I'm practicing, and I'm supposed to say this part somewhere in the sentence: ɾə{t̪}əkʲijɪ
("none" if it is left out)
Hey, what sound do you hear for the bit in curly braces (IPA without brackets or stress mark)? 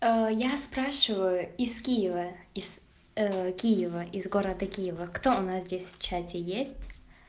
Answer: d̪